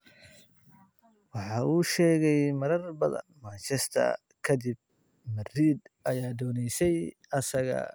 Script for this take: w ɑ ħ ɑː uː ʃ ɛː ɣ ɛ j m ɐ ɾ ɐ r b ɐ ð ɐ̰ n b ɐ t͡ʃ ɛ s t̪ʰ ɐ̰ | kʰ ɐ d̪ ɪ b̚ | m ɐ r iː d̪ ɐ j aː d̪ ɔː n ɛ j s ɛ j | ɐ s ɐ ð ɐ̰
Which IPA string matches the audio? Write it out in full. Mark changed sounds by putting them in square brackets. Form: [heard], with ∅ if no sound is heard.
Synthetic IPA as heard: w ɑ ħ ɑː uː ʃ ɛː ɣ ɛ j m ɐ ɾ ɐ r b ɐ ð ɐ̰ n [m] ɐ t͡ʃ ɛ s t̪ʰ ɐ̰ | kʰ ɐ d̪ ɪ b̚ | m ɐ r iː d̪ ɐ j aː d̪ ɔː n ɛ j s ɛ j | ɐ s ɐ [ɣ] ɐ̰